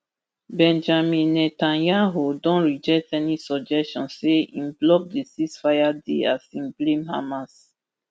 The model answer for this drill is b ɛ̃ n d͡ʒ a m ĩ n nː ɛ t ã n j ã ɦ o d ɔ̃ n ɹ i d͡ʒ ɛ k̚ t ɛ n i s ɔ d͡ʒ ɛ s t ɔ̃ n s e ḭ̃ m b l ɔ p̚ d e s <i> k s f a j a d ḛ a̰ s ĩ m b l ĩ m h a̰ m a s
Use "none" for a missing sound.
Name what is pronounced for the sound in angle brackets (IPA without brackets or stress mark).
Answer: i